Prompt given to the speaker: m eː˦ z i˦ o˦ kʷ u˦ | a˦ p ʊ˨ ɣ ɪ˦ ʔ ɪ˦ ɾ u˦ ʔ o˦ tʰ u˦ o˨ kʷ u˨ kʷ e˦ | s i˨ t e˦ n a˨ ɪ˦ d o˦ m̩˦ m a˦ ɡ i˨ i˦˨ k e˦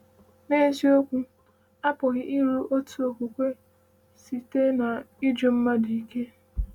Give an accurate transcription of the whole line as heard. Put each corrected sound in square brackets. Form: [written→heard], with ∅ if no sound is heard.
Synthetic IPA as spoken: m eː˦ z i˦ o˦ kʷ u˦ | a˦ p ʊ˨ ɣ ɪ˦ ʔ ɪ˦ ɾ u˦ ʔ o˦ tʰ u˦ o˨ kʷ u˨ kʷ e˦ | s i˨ t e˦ n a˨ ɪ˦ [d→d͡ʒ] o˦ m̩˦ m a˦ [ɡ→d] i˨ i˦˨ k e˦